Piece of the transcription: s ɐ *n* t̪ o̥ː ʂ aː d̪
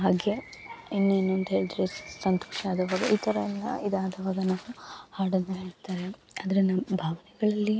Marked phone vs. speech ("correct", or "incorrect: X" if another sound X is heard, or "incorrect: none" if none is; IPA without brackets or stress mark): correct